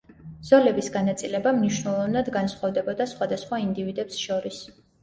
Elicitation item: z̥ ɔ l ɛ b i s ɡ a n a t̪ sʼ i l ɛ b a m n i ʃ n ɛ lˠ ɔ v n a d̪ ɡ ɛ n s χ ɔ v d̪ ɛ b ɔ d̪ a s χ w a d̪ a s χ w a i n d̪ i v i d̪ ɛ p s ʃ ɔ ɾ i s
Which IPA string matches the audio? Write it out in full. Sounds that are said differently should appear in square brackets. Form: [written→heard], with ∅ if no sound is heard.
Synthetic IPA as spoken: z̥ ɔ l ɛ b i s ɡ a n a t̪ sʼ i l ɛ b a m n i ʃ n ɛ lˠ ɔ v n a d̪ ɡ [ɛ→a] n s χ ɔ v d̪ ɛ b ɔ d̪ a s χ w a d̪ a s χ w a i n d̪ i v i d̪ ɛ p s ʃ ɔ ɾ i s